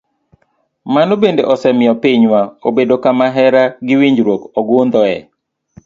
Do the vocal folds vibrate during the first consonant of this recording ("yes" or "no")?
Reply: yes